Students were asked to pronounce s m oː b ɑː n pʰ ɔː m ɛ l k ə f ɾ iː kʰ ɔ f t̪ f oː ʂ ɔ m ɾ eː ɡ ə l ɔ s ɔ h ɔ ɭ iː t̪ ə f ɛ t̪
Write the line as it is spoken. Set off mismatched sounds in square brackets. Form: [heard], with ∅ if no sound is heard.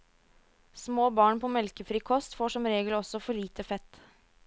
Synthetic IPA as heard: s m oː b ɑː [ɳ] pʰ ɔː m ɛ l k ə f ɾ iː kʰ ɔ [s] t̪ f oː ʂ ɔ m ɾ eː ɡ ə l ɔ s ɔ [f] ɔ ɭ iː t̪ ə f ɛ t̪